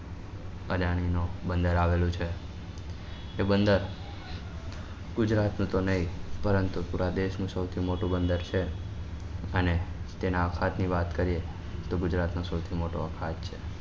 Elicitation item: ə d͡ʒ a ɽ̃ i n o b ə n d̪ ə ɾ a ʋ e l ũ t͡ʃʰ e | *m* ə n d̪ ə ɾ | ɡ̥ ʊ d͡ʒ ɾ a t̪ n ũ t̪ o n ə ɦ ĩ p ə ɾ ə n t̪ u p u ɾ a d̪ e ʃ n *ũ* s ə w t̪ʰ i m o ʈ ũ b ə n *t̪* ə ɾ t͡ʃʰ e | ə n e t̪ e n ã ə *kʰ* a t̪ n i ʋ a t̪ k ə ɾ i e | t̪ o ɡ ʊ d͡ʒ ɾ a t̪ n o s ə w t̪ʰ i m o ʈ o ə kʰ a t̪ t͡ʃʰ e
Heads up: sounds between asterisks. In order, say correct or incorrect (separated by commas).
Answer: incorrect, correct, incorrect, correct